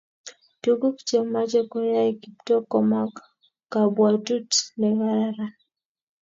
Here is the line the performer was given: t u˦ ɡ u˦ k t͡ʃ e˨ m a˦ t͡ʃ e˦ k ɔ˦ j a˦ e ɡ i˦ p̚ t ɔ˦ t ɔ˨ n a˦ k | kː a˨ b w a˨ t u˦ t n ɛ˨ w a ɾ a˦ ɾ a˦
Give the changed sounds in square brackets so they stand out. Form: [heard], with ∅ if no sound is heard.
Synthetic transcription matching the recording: t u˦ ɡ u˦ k t͡ʃ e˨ m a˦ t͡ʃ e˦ k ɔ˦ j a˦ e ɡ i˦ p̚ t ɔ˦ [k] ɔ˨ [m] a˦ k | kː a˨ b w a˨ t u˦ t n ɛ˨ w a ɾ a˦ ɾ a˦